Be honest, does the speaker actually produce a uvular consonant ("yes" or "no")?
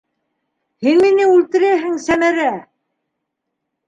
no